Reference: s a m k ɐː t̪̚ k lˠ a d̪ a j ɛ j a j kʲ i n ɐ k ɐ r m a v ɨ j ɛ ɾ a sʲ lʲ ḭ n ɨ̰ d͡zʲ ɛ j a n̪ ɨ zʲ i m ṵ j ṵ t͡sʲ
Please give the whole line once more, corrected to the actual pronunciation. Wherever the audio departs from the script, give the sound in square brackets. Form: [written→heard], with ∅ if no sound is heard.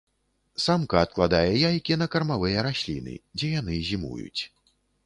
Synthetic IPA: s a m k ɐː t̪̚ k lˠ a d̪ a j ɛ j a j kʲ i n ɐ k ɐ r m a v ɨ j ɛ ɾ a sʲ lʲ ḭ n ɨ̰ d͡zʲ ɛ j a n̪ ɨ zʲ i m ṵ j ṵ t͡sʲ